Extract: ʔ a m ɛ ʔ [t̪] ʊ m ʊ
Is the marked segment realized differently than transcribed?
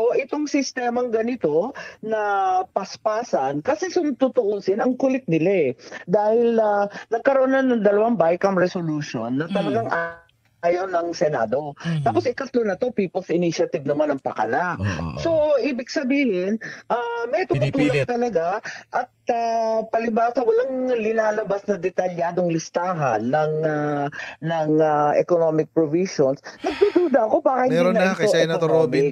no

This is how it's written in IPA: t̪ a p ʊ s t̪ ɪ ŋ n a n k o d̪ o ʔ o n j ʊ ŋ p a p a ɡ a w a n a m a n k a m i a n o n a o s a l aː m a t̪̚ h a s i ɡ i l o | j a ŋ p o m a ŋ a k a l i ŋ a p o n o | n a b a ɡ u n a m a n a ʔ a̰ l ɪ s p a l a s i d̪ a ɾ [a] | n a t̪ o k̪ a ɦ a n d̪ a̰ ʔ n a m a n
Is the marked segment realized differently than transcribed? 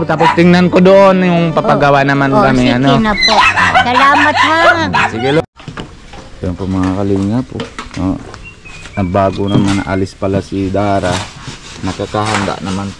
no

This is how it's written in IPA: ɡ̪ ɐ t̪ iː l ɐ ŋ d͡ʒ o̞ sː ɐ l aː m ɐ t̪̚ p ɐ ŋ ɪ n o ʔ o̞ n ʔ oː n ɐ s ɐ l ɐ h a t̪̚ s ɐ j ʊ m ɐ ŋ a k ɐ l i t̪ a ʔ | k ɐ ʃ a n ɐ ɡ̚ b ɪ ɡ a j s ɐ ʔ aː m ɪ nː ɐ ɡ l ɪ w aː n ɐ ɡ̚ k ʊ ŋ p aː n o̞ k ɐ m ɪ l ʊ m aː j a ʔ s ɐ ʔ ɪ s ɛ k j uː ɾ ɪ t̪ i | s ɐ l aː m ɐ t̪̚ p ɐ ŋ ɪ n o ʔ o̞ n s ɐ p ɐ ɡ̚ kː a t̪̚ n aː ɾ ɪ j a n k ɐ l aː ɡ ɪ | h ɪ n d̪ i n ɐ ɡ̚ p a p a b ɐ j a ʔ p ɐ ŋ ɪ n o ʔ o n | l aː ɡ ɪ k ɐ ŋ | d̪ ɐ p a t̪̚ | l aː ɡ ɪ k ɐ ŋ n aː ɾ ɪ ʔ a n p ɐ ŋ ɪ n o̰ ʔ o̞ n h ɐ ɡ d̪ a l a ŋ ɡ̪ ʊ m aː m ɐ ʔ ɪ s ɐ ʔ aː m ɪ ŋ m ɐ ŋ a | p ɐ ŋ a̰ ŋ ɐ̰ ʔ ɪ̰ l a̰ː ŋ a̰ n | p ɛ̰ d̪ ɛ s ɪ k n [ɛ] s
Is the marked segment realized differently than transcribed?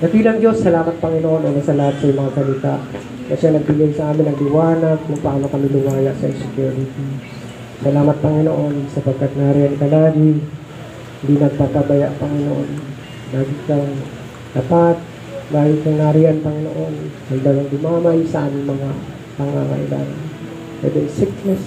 no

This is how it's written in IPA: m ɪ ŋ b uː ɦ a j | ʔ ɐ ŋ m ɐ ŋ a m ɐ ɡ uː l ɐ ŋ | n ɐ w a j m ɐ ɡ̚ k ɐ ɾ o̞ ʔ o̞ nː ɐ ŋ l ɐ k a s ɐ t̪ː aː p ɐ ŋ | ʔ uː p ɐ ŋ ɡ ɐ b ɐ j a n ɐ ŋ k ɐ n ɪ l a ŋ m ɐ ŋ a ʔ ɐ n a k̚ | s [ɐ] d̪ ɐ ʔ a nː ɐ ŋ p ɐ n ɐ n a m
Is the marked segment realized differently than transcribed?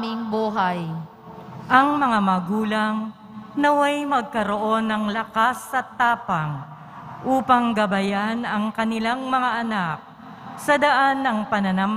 no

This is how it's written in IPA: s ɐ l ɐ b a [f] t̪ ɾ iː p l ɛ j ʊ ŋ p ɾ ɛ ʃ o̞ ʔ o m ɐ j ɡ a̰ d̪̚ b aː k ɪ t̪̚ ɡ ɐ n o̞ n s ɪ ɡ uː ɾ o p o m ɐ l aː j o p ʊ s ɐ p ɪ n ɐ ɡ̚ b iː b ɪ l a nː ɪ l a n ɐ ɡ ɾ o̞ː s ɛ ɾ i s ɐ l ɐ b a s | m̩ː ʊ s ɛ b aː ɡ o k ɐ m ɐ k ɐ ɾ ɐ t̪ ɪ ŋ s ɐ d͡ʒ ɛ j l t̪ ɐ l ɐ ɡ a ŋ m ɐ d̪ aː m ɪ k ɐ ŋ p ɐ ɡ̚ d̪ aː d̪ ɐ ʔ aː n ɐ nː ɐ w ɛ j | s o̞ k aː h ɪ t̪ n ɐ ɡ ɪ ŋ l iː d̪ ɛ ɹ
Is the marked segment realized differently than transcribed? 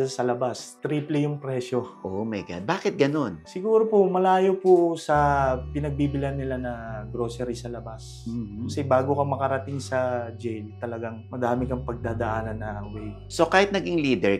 yes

